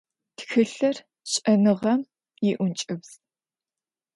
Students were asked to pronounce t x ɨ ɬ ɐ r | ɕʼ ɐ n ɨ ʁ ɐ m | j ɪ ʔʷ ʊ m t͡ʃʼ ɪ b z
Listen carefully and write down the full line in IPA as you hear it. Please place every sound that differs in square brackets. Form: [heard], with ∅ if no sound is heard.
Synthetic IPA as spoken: t x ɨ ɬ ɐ r | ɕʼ ɐ n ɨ ʁ ɐ m | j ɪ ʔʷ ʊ [n] t͡ʃʼ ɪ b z